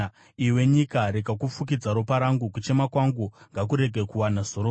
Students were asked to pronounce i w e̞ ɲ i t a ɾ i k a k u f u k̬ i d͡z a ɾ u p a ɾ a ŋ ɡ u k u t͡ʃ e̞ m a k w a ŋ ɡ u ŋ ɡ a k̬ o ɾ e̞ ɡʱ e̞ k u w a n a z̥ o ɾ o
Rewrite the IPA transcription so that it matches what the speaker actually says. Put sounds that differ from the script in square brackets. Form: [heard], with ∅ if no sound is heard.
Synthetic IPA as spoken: i w e̞ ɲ i [k] a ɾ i k a k u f u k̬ i d͡z a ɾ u p a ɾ a ŋ ɡ u k u t͡ʃ e̞ m a k w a ŋ ɡ u ŋ ɡ a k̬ [u] ɾ e̞ ɡʱ e̞ k u w a n a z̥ o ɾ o